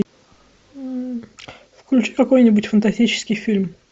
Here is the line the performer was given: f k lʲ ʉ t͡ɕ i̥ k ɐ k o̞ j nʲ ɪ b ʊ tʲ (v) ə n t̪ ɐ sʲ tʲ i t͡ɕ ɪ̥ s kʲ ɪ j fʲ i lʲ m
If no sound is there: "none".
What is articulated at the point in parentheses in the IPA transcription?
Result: f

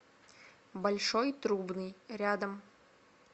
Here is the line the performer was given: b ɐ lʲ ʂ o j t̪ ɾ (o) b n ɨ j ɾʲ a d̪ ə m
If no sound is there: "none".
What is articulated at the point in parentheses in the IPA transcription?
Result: u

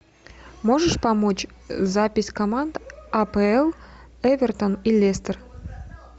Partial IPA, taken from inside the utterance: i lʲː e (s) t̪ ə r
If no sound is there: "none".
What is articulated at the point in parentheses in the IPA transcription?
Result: s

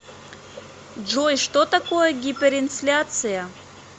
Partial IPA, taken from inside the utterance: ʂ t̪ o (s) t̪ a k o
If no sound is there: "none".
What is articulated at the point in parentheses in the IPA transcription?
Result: none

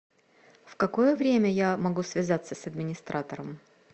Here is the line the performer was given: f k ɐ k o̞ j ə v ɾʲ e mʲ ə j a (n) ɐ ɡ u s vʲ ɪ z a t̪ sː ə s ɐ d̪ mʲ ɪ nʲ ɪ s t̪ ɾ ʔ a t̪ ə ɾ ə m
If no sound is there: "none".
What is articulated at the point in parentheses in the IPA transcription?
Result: m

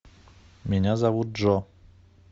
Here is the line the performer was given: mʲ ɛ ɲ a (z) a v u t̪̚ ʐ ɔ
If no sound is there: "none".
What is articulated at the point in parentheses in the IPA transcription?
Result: z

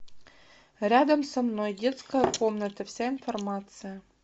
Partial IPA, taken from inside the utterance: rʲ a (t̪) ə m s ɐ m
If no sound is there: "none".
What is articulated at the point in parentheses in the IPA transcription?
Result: d̪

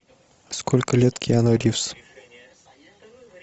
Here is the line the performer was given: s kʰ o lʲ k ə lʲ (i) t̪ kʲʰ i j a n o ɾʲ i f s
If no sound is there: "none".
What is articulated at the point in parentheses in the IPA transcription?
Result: e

